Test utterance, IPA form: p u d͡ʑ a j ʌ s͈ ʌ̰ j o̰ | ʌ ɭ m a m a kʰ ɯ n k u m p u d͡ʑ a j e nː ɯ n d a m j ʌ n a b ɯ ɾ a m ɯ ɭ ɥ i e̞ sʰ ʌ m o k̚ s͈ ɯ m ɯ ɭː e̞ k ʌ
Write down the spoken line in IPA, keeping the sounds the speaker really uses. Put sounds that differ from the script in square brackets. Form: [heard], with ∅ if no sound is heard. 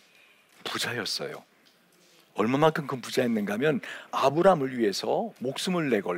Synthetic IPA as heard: p u d͡ʑ a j ʌ s͈ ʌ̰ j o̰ | ʌ ɭ m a m a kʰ ɯ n k [ɯ] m p u d͡ʑ a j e nː ɯ n [ɡ] a m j ʌ n a b ɯ ɾ a m ɯ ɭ ɥ i e̞ sʰ ʌ m o k̚ s͈ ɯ m ɯ ɭː e̞ [ɡ] ʌ